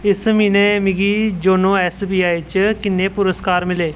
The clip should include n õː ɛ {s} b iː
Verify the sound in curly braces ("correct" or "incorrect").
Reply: correct